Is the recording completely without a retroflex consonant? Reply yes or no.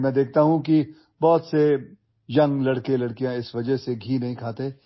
no